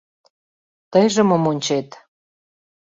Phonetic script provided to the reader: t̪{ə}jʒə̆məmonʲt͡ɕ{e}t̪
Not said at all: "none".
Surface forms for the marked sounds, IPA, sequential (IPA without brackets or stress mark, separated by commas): ə, e